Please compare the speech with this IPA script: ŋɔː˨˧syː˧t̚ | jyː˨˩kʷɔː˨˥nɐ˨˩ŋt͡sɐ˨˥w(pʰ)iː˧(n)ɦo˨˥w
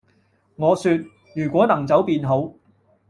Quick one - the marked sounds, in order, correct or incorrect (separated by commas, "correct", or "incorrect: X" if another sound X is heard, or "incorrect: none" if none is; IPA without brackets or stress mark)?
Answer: incorrect: p, correct